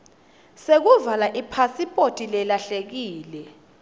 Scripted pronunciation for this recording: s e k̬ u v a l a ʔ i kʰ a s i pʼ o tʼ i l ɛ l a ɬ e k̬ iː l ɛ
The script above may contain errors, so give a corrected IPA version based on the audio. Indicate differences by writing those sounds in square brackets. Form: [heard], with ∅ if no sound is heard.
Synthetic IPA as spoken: s e k̬ u v a l a ʔ i [pʰ] a s i pʼ o tʼ i l ɛ l a ɬ e k̬ iː l ɛ